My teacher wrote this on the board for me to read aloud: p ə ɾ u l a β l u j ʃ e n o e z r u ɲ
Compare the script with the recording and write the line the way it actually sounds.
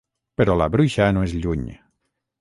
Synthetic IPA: p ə ɾ ɔ l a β ɾ u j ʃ a n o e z ʎ u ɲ